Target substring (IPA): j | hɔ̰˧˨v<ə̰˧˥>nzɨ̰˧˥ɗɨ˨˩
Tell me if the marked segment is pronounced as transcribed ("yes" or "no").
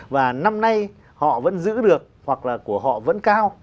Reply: yes